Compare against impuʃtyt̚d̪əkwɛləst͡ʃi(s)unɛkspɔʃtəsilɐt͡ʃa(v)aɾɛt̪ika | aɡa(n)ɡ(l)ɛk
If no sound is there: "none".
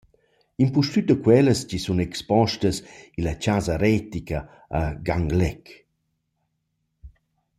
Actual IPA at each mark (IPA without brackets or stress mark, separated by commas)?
s, z, ŋ, l